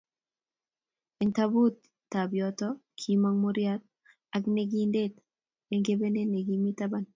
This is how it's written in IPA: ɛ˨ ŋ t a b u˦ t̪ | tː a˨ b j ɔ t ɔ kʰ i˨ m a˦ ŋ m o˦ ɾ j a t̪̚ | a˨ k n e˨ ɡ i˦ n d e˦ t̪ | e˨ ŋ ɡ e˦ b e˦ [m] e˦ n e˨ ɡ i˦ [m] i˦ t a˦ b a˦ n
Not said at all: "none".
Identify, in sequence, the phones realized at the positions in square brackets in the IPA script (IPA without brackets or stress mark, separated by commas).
n, m